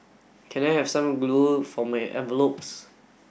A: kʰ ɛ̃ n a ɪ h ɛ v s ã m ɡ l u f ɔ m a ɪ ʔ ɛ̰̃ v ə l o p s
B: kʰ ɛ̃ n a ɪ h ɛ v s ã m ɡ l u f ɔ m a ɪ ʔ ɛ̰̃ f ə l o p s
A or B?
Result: A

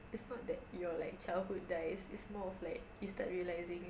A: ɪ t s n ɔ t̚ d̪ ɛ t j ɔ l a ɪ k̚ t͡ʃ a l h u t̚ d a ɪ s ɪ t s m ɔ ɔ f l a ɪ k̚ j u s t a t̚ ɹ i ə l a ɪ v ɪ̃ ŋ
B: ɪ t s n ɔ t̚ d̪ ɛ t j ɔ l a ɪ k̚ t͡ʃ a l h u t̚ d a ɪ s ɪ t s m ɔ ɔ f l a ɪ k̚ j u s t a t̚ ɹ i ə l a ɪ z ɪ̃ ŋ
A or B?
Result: B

